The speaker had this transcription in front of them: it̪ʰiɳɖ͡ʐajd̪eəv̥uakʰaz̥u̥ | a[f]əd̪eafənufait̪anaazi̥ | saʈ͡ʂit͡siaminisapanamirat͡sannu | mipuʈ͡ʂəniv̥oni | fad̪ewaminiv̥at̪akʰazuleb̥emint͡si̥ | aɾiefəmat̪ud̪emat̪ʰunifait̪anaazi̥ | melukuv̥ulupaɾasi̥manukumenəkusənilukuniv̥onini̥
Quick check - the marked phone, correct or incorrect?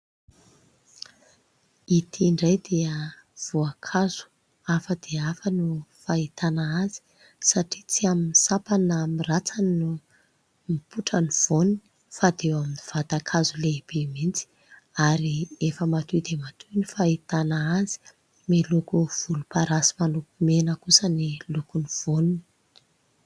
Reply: correct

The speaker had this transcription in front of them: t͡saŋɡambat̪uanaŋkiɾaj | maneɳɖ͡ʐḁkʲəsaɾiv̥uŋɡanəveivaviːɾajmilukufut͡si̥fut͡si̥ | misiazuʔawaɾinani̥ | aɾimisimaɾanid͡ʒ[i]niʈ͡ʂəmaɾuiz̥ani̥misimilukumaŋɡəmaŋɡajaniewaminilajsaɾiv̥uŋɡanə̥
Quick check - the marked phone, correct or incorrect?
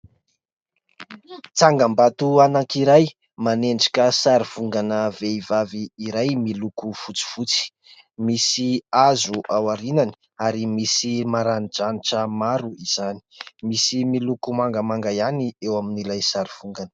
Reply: incorrect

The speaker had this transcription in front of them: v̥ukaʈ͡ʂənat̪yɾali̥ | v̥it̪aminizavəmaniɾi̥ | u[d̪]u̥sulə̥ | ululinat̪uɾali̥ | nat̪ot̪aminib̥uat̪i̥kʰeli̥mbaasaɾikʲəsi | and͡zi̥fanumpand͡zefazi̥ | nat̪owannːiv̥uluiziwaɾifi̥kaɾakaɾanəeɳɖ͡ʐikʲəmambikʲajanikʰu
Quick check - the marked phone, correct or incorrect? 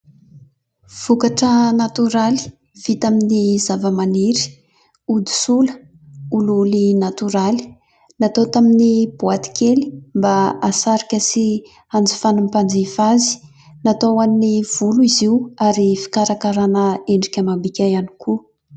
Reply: correct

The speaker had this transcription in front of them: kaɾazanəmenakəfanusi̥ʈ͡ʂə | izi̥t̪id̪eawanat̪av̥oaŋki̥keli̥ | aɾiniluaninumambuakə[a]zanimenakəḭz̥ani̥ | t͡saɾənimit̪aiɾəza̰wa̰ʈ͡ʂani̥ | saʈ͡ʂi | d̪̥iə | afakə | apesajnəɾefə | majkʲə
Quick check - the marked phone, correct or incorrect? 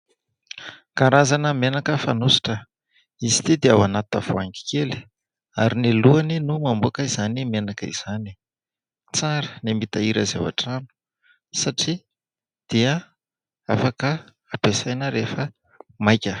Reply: incorrect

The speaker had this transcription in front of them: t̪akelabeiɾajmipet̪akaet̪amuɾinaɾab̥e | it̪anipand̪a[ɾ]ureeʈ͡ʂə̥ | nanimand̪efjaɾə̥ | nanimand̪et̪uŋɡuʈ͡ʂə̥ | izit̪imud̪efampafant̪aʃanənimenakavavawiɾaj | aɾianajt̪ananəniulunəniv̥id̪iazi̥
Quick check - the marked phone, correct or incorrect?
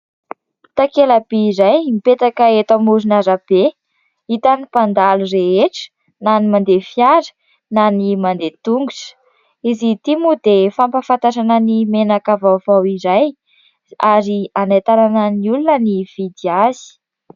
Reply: incorrect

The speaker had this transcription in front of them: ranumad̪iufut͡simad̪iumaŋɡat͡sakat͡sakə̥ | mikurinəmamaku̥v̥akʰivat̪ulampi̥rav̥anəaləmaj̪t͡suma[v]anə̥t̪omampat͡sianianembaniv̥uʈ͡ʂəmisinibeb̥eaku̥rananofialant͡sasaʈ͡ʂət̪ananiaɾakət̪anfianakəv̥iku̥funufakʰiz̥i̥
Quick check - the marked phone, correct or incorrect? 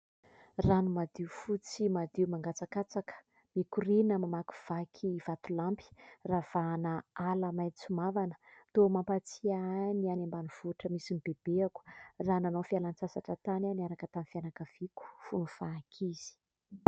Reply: correct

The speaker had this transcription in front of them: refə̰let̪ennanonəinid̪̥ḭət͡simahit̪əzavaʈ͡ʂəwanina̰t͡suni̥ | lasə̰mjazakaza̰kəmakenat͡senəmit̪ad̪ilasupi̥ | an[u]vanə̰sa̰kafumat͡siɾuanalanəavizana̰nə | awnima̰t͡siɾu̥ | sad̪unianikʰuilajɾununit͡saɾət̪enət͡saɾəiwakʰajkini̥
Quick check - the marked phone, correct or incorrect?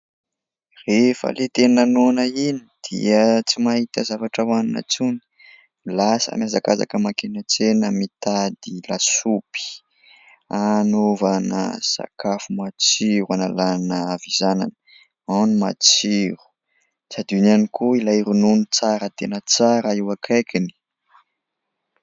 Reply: incorrect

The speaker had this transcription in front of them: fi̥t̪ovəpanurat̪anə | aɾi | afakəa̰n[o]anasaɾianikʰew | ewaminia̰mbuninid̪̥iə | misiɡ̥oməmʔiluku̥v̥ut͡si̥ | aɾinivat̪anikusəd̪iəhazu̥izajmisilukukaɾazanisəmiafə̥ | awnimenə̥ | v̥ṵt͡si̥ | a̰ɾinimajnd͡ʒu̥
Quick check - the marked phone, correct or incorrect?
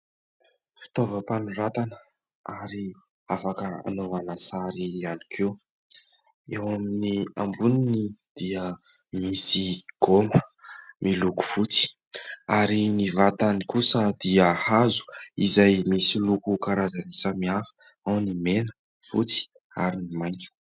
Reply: correct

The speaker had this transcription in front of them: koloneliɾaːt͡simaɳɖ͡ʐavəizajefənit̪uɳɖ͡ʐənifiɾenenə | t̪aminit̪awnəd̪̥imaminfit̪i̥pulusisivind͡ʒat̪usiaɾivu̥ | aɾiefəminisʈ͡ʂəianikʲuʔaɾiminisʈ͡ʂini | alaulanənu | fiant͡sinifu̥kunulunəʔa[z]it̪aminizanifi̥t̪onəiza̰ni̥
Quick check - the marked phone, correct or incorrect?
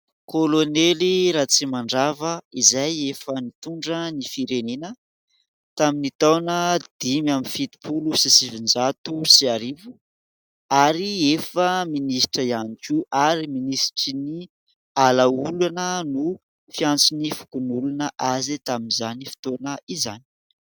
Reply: correct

